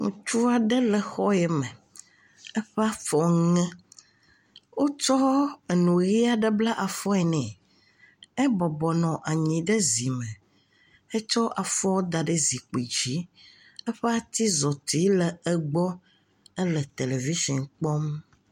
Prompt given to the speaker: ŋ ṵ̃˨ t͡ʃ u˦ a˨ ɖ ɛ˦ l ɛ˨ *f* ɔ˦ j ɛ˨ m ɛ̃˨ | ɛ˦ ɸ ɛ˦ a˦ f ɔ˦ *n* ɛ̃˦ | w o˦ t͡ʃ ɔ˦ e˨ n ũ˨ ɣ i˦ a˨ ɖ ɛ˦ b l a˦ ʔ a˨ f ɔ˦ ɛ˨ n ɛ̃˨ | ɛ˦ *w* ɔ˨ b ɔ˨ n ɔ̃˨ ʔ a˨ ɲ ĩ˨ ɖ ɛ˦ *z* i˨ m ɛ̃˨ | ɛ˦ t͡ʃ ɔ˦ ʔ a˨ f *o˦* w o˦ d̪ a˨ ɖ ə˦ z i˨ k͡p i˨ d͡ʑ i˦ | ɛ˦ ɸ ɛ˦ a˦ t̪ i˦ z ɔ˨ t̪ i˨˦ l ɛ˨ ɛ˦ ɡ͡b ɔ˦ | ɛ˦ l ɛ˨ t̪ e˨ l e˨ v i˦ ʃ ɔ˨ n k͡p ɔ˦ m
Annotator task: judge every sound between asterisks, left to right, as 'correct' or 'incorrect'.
incorrect: x, incorrect: ŋ, incorrect: b, correct, incorrect: ɔ˦

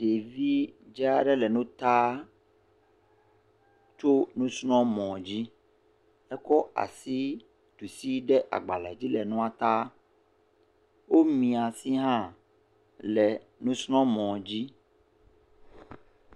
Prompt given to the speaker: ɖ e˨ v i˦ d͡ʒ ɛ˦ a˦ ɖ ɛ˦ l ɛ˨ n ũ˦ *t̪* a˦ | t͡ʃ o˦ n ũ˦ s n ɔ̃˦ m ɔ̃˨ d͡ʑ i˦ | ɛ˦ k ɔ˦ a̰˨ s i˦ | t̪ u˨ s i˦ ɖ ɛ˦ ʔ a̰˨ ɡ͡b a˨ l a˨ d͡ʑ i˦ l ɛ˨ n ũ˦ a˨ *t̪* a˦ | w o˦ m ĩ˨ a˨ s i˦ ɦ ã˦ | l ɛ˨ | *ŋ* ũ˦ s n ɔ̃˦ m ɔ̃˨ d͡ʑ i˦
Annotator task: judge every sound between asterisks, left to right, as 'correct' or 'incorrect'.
correct, correct, incorrect: n

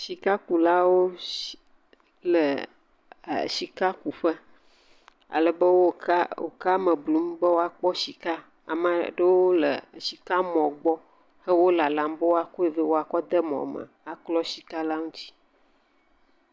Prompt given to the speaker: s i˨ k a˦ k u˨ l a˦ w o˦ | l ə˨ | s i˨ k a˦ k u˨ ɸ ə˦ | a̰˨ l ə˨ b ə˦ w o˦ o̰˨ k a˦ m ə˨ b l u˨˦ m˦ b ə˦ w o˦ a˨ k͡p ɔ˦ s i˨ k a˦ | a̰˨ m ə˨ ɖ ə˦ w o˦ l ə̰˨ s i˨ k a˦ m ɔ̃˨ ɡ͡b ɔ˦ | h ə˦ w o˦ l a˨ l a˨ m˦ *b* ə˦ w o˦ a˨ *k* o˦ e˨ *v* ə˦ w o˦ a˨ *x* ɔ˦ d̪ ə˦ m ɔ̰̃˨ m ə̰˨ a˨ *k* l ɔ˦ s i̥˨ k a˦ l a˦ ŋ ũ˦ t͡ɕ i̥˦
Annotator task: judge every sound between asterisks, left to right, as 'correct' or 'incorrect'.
correct, correct, correct, incorrect: k, correct

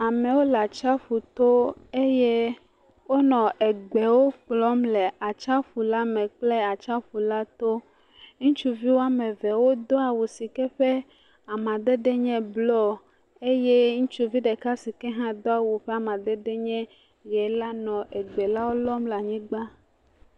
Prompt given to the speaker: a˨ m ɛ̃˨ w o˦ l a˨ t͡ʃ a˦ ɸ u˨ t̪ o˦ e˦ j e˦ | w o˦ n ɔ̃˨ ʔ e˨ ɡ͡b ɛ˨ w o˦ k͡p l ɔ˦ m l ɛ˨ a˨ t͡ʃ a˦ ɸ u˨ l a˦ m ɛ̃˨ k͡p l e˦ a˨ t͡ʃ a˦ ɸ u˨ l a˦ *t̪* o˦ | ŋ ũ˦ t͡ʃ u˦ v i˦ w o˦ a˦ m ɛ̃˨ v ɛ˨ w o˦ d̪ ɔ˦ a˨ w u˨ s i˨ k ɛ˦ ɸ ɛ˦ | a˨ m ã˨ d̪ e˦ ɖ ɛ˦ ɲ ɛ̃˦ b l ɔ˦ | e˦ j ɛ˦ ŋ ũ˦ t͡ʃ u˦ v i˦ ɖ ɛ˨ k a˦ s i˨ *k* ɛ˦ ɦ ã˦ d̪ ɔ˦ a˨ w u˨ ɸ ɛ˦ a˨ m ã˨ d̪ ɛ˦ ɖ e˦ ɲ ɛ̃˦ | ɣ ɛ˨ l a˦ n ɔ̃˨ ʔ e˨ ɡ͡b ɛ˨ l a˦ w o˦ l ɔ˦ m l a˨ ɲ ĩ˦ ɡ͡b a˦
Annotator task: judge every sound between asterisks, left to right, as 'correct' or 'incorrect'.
correct, correct

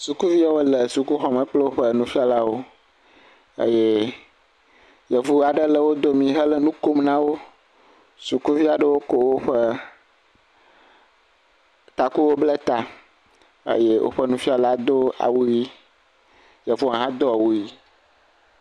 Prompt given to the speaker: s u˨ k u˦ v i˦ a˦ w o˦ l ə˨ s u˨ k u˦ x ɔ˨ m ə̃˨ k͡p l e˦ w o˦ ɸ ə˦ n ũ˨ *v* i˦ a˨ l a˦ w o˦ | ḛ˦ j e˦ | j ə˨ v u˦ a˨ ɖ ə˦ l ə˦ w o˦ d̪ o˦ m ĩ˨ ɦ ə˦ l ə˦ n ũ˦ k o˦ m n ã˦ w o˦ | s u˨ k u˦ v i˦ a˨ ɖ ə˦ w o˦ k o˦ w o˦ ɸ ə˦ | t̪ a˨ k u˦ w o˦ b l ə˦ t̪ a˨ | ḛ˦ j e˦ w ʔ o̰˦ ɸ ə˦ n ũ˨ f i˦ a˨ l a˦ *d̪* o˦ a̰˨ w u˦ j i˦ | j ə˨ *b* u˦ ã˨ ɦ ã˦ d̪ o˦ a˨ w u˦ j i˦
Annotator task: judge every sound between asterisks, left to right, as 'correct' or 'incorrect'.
incorrect: f, correct, incorrect: v

